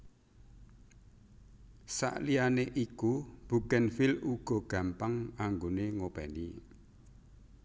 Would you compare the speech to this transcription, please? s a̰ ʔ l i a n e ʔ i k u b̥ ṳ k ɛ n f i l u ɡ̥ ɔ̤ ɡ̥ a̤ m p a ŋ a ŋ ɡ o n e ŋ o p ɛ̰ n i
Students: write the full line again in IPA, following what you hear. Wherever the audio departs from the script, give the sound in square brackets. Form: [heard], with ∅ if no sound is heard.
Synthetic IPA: s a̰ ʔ l i a n e ʔ i k u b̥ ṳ k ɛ n f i l u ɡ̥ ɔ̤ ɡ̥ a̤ m p a ŋ a ŋ ɡ o n e ŋ o p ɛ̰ n i